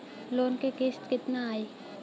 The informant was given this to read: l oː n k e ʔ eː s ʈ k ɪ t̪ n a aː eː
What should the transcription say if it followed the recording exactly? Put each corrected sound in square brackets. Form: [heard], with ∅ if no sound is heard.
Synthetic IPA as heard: l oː n k e [k] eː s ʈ k ɪ t̪ n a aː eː